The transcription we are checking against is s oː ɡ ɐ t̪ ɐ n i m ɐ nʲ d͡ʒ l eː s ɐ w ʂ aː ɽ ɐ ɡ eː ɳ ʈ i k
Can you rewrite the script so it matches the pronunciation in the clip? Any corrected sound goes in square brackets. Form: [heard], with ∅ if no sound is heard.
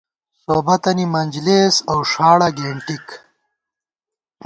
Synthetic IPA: s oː [b] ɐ t̪ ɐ n i m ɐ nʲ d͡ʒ l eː s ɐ w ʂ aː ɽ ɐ ɡ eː ɳ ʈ i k